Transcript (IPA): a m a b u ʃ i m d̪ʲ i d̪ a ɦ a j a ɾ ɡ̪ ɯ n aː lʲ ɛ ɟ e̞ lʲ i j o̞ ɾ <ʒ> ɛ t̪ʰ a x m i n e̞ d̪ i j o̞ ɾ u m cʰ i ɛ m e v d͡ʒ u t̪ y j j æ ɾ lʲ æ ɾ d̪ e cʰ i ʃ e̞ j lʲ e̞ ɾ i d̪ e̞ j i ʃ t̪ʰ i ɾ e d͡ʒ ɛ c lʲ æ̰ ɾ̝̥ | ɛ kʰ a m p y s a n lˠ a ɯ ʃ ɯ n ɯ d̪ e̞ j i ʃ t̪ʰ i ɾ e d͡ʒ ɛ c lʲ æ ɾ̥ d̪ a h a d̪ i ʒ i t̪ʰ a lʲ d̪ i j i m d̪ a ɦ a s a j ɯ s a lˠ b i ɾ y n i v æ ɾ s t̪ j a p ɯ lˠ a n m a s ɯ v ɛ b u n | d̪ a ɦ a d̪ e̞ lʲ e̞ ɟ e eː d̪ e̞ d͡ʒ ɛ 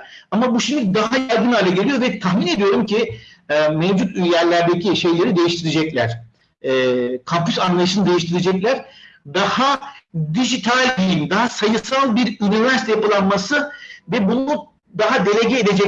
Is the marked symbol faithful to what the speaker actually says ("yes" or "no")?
no